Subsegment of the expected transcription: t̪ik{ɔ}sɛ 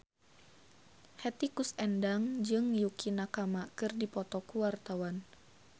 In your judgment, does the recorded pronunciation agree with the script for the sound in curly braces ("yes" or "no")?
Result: no